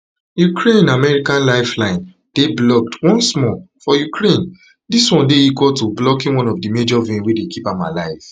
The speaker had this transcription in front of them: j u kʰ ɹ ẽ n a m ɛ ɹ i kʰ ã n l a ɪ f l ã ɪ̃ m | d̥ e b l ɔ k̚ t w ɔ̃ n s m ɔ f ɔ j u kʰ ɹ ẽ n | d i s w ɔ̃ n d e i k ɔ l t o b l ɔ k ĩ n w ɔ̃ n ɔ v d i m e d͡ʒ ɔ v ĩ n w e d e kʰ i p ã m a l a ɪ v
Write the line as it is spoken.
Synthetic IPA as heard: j u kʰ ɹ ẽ n a m ɛ ɹ i k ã n l a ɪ f l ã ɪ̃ n | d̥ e b l ɔ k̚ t w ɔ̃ n s m ɔ f ɔ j u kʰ ɹ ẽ n | d i s w ɔ̃ n d e i k ɔ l t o b l ɔ k ĩ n w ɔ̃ n ɔ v d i m e d͡ʒ ɔ v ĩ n w e d e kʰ i p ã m a l a ɪ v